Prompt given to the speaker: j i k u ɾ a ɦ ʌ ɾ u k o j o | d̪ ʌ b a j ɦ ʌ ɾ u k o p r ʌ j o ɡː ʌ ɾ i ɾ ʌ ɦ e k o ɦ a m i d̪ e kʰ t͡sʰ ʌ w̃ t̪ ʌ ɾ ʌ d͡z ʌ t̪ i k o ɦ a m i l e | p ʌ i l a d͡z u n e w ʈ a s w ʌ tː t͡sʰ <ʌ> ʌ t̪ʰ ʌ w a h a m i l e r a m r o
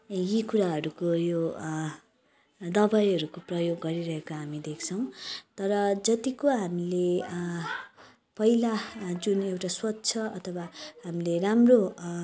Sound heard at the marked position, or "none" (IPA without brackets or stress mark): ʌ